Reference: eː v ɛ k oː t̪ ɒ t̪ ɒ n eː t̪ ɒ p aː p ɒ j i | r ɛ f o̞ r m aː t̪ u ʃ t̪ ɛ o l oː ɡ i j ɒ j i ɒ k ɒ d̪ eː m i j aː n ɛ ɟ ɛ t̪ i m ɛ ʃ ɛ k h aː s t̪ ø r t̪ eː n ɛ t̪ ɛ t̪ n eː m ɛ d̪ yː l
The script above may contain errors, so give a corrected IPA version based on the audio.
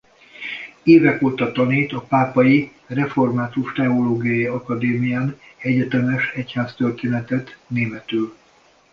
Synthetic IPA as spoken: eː v ɛ k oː t̪ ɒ t̪ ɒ n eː t̪ ɒ p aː p ɒ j i | r ɛ f o̞ r m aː t̪ u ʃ t̪ ɛ o l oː ɡ i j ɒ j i ɒ k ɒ d̪ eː m i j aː n ɛ ɟ ɛ t̪ ɛ m ɛ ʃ ɛ c h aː s t̪ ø r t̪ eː n ɛ t̪ ɛ t̪ n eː m ɛ t̪ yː l